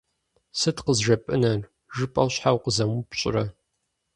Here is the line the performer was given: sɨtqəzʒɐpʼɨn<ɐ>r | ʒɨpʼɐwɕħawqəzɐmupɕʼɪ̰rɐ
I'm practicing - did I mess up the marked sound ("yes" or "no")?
no